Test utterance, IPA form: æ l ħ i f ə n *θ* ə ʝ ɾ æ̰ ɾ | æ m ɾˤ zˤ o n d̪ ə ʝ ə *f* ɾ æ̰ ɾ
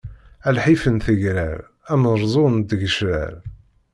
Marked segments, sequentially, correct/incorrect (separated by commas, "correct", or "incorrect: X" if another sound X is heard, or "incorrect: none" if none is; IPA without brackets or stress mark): correct, incorrect: ʃ